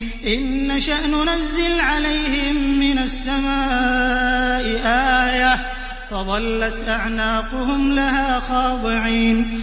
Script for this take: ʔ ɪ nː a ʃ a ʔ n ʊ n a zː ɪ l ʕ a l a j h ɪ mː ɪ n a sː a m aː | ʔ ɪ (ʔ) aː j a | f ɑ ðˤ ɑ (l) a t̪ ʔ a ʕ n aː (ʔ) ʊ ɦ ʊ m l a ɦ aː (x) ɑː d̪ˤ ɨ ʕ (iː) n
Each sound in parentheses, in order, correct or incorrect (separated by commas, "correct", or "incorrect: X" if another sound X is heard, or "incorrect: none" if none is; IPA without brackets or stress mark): correct, incorrect: lː, incorrect: q, correct, correct